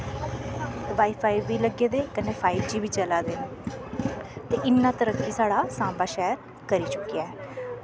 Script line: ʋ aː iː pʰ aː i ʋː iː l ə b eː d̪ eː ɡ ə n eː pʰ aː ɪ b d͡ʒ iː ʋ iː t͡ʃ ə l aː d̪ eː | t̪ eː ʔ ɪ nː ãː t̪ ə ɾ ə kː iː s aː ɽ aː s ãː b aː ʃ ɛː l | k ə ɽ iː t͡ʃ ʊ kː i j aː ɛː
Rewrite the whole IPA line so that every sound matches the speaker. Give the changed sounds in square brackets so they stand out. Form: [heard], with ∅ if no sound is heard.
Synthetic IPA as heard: ʋ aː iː pʰ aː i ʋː iː l ə [ɡ] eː d̪ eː [k] ə n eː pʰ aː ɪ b d͡ʒ iː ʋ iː t͡ʃ ə l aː d̪ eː | t̪ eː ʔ ɪ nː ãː t̪ ə ɾ ə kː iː s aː ɽ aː s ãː b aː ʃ ɛː [ɾ] | k ə [ɾ] iː t͡ʃ ʊ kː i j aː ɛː